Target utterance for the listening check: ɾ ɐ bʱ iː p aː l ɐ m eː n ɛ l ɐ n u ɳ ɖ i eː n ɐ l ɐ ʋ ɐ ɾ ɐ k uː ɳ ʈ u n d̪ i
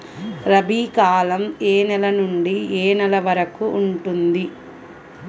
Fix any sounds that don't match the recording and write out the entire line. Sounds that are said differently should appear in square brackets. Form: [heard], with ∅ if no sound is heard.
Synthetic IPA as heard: ɾ ɐ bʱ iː [k] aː l ɐ m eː n ɛ l ɐ n u ɳ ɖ i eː n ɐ l ɐ ʋ ɐ ɾ ɐ k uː ɳ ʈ u n d̪ i